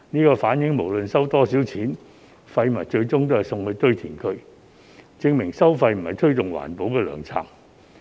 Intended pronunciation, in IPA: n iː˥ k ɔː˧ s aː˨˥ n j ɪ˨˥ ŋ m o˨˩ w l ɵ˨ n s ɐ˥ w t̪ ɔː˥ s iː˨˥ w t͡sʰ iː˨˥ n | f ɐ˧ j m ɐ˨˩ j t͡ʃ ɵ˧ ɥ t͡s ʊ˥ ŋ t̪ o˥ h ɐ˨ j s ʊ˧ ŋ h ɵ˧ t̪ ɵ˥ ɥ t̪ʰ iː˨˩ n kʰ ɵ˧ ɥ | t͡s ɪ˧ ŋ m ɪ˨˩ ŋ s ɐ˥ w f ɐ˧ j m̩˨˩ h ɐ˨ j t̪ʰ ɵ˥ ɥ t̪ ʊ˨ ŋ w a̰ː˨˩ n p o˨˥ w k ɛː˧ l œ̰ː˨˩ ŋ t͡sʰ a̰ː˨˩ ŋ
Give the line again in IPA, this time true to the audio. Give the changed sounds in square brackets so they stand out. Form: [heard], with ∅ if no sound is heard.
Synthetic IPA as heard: n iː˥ k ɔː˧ [f] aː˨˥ n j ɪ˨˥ ŋ m o˨˩ w l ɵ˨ n s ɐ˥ w t̪ ɔː˥ s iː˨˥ w t͡sʰ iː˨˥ n | f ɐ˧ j m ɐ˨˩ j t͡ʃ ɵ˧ ɥ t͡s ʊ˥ ŋ t̪ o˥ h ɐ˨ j s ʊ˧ ŋ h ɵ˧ t̪ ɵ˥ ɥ t̪ʰ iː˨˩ n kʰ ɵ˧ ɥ | t͡s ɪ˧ ŋ m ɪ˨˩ ŋ s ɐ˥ w f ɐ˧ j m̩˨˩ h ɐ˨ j t̪ʰ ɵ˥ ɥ t̪ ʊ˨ ŋ w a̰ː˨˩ n p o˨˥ w k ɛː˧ l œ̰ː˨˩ ŋ t͡sʰ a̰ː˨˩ ŋ